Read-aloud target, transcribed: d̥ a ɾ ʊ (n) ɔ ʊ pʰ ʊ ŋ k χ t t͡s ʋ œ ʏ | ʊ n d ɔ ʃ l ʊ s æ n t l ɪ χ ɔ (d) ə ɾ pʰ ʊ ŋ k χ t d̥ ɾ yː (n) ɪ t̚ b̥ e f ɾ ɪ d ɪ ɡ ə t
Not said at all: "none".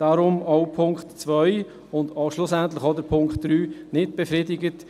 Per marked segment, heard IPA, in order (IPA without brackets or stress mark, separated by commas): m, d, n